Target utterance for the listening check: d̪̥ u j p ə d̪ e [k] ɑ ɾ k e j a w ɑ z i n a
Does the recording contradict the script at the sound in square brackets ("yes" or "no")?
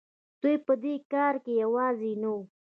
no